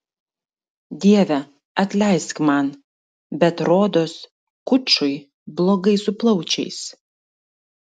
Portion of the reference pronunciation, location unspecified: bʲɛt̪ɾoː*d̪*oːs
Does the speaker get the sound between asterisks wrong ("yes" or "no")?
no